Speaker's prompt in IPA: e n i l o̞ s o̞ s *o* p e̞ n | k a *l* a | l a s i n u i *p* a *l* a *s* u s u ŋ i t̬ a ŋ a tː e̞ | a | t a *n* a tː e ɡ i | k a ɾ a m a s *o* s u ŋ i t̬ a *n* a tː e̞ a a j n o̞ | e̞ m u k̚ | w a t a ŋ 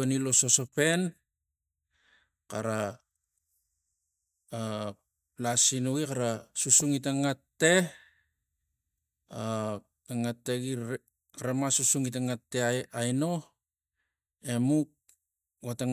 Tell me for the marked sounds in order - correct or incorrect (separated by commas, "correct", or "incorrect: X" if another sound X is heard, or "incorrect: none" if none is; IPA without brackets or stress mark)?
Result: correct, incorrect: ɾ, incorrect: k, incorrect: ɾ, correct, incorrect: ŋ, incorrect: u, incorrect: ŋ